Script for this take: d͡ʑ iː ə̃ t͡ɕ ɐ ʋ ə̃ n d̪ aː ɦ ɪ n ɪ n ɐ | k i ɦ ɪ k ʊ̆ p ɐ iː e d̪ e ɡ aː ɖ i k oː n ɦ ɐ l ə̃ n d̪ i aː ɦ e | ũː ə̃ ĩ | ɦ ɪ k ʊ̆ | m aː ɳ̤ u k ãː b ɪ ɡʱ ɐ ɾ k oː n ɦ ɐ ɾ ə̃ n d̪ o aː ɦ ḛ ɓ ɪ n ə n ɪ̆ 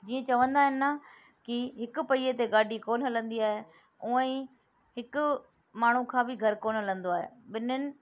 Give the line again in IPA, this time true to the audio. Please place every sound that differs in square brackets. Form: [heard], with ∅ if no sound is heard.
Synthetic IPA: d͡ʑ iː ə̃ t͡ɕ ɐ ʋ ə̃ n d̪ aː ɦ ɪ n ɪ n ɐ | k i ɦ ɪ k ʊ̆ p ɐ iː e [t̪] e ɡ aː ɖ i k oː n ɦ ɐ l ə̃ n d̪ i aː ɦ e | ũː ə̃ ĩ | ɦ ɪ k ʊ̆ | m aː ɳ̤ u [kʰ] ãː b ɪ ɡʱ ɐ ɾ k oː n ɦ ɐ [l] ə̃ n d̪ o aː ɦ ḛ ɓ ɪ n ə n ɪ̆